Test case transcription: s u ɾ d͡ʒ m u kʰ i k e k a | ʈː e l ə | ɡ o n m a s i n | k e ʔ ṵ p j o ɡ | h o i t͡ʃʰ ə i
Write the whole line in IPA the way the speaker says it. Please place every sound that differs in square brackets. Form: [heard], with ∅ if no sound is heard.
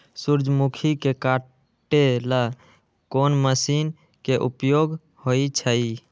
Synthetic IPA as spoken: s u ɾ d͡ʒ m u kʰ i k e k a | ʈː e l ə | [k] o n m [ə] s i n | k e ʔ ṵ p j o ɡ | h o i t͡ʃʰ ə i